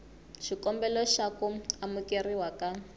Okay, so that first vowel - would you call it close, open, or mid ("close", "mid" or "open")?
close